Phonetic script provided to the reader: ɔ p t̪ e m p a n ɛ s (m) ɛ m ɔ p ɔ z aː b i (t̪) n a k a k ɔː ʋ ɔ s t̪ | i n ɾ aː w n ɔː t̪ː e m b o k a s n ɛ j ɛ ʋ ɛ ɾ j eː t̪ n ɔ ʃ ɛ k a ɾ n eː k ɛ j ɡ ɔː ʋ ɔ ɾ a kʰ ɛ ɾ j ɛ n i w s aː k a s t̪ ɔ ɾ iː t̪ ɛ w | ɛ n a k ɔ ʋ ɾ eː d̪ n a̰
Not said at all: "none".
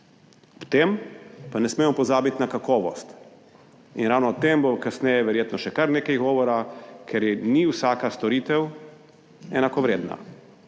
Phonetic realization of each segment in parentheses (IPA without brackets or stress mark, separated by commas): m, t̪